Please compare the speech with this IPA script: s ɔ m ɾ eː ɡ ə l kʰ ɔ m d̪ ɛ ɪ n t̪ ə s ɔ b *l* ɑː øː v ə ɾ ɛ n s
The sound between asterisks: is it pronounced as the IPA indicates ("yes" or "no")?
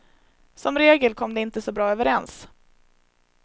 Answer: no